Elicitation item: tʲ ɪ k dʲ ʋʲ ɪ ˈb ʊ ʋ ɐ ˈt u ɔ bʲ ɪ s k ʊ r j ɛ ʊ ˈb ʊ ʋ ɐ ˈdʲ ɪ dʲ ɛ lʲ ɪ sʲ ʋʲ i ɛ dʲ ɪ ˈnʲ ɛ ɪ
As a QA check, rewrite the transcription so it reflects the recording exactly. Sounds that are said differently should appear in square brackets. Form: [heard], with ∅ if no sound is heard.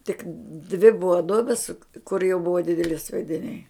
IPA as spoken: tʲ ɪ k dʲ ʋʲ ɪ ˈb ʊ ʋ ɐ [ˈd] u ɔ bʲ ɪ s k ʊ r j ɛ ʊ ˈb ʊ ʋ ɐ ˈdʲ ɪ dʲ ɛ lʲ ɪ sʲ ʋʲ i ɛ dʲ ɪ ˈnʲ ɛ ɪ

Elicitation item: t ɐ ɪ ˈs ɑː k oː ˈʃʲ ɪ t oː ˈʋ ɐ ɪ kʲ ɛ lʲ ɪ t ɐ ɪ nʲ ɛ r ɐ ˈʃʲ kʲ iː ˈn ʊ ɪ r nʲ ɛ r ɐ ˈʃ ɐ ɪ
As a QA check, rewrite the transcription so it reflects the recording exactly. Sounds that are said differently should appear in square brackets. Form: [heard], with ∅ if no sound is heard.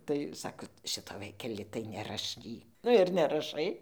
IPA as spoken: t ɐ ɪ ˈs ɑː k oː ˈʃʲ ɪ t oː ˈʋ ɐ ɪ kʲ ɛ lʲ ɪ t ɐ ɪ nʲ ɛ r ɐ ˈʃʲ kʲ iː ˈn ʊ ɪ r nʲ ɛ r ɐ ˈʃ ɐ ɪ

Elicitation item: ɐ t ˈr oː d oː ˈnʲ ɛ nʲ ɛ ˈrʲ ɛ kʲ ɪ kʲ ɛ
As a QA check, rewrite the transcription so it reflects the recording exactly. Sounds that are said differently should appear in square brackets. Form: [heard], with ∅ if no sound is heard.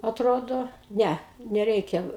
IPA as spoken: ɐ t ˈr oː d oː ˈnʲ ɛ nʲ ɛ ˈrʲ ɛ [∅] ɪ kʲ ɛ

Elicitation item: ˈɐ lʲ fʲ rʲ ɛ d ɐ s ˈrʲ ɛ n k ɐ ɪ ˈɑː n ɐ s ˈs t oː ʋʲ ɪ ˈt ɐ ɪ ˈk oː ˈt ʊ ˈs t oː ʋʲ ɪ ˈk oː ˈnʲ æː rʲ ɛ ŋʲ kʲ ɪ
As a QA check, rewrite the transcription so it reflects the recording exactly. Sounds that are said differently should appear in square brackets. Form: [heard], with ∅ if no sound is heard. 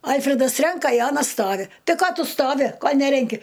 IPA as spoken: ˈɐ lʲ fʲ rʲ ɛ d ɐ s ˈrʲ ɛ [ŋ] k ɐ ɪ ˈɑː n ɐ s ˈs t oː ʋʲ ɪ ˈt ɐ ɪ ˈk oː ˈt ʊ ˈs t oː ʋʲ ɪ ˈk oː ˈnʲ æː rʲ ɛ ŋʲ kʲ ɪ

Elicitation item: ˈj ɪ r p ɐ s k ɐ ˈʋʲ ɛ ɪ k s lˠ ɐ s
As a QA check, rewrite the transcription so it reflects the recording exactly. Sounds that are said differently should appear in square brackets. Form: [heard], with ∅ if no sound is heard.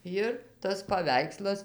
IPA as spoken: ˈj ɪ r [t] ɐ s [p] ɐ ˈʋʲ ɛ ɪ k s lˠ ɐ s

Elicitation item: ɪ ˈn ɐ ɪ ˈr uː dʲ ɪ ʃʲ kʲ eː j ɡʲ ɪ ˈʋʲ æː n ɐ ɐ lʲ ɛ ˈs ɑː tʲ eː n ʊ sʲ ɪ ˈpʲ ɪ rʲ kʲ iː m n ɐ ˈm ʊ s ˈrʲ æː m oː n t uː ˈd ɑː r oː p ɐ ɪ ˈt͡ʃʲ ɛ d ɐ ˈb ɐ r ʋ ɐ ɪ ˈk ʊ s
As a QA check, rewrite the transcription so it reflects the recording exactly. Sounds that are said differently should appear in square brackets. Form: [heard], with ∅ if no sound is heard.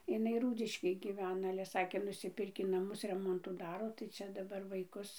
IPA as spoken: ɪ ˈn ɐ ɪ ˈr uː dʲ ɪ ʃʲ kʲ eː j ɡʲ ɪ ˈʋʲ æː n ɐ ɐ lʲ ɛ ˈs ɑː [kʲ] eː n ʊ sʲ ɪ ˈpʲ ɪ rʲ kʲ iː [∅] n ɐ ˈm ʊ s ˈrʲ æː m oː n t uː ˈd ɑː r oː [t] ɐ ɪ ˈt͡ʃʲ ɛ d ɐ ˈb ɐ r ʋ ɐ ɪ ˈk ʊ s

